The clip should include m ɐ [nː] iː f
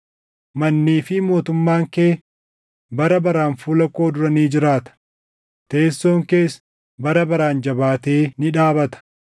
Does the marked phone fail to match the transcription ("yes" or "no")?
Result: no